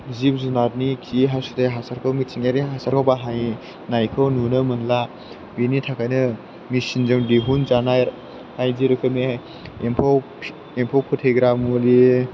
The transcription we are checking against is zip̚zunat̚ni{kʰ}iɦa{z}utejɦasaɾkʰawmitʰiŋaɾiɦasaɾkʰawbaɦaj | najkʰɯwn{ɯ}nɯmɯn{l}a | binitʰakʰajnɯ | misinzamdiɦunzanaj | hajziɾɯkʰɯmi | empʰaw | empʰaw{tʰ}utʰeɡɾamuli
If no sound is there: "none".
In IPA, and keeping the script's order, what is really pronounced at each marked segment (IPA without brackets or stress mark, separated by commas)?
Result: kʰ, s, u, l, pʰ